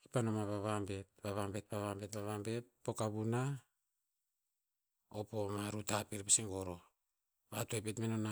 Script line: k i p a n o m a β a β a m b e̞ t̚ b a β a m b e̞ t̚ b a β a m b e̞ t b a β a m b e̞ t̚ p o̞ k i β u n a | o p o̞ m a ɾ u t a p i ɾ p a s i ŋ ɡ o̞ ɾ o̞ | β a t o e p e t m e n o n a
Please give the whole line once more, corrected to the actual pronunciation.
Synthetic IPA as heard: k i p a n o m a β a β a m b e̞ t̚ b a β a m b e̞ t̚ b a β a m b e̞ t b a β a m b e̞ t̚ p o̞ k a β u n a | o p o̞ m a ɾ u t a p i ɾ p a s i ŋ ɡ o̞ ɾ o̞ | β a t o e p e t m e n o n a